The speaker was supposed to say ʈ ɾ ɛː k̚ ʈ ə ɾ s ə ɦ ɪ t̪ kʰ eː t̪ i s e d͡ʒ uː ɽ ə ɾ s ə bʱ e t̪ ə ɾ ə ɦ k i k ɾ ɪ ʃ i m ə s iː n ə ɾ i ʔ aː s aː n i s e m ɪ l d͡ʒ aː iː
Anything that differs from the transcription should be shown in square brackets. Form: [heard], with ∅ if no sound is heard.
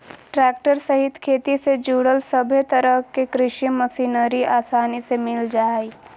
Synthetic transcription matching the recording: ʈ ɾ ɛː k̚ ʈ ə ɾ s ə ɦ ɪ t̪ kʰ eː t̪ i s e d͡ʒ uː ɽ ə [l] s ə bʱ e t̪ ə ɾ ə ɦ k [e] k ɾ ɪ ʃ i m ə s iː n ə ɾ i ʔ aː s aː n i s e m ɪ l d͡ʒ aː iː